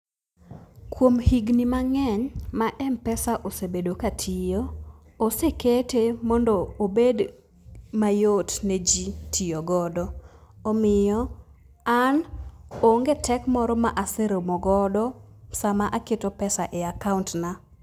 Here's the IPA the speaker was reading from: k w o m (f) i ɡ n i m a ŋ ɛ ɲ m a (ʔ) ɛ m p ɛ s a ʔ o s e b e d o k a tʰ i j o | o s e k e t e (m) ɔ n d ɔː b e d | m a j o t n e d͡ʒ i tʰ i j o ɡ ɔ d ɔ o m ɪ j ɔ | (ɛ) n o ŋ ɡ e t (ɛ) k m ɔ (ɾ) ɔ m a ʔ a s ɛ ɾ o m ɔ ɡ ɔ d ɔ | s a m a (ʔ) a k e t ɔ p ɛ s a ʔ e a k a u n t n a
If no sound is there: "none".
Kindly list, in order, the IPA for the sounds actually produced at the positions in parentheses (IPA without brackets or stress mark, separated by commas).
h, ʔ, m, a, ɛ, ɾ, ʔ